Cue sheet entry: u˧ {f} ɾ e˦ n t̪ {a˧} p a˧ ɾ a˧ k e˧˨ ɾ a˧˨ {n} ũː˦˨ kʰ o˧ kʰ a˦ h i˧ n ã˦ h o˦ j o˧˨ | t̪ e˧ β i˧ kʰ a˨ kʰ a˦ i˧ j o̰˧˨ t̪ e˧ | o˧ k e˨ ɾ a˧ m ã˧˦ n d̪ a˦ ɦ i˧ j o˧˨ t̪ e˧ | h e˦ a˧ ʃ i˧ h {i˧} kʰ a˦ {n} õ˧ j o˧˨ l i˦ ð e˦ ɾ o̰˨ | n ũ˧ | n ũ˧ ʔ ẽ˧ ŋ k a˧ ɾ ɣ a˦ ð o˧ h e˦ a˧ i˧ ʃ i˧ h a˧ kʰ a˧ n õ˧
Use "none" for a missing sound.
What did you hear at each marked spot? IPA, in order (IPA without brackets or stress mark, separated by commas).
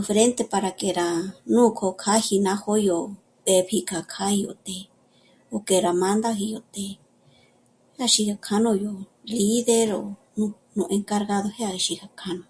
f, e˧, n, a˧, n